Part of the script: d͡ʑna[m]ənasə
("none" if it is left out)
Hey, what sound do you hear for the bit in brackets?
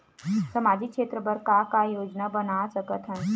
b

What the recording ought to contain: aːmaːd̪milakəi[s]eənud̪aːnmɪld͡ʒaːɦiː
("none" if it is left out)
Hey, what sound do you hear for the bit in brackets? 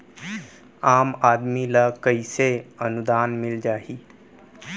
s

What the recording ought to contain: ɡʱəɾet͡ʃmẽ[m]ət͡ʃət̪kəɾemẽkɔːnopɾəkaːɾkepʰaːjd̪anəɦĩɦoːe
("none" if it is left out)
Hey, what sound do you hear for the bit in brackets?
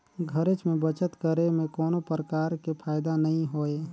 b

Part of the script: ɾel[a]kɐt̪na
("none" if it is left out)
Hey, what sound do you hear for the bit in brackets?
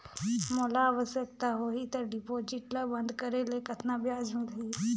e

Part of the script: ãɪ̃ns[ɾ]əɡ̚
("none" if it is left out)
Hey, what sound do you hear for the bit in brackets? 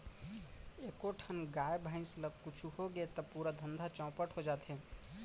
l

